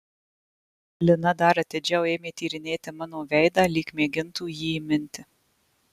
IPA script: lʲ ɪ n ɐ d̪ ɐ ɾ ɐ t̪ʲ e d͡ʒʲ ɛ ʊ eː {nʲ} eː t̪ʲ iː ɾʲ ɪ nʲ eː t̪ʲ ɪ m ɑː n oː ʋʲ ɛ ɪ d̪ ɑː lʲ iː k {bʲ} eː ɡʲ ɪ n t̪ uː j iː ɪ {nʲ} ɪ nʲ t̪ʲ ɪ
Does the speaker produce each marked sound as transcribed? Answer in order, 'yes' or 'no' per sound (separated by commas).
no, no, no